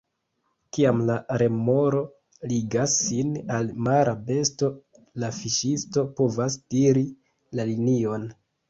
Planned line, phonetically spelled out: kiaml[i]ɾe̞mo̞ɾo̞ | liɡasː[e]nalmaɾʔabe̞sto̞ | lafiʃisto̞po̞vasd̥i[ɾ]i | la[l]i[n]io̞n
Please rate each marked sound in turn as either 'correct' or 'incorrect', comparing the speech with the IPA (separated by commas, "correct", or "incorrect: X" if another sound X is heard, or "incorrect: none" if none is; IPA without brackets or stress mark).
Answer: incorrect: a, incorrect: i, correct, correct, correct